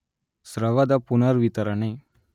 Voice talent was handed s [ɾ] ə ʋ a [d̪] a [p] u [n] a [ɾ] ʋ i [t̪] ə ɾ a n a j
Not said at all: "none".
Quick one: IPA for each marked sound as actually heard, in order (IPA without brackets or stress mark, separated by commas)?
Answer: ɾ, d̪, p, n, ɾ, t̪